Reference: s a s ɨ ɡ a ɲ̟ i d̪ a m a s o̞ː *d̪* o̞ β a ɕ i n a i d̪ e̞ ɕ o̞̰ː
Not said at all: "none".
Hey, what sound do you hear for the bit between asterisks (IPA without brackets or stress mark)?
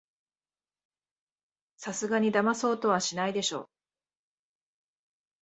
t̪